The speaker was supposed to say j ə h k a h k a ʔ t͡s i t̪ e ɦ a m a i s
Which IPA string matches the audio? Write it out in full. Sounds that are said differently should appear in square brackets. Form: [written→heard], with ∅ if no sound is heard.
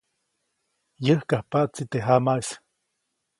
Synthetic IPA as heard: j ə h k a h [k→p] a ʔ t͡s i t̪ e ɦ a m a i s